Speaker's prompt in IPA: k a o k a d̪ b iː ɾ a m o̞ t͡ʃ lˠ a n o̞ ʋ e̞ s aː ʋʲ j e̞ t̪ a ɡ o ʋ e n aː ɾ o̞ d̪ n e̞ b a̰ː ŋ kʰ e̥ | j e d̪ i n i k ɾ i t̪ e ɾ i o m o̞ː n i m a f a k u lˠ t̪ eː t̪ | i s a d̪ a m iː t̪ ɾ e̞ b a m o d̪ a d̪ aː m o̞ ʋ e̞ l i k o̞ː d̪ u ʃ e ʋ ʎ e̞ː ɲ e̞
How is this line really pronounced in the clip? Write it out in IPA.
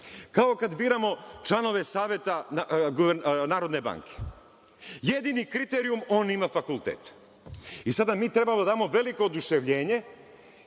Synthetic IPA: k a o k a d̪ b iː ɾ a m o̞ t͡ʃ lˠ a n o̞ ʋ e̞ s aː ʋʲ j e̞ t̪ a ɡ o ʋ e n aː ɾ o̞ d̪ n e̞ b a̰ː ŋ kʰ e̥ | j e d̪ i n i k ɾ i t̪ e ɾ i u m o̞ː n i m a f a k u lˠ t̪ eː t̪ | i s a d̪ a m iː t̪ ɾ e̞ b a m o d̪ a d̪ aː m o̞ ʋ e̞ l i k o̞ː d̪ u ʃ e ʋ ʎ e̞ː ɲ e̞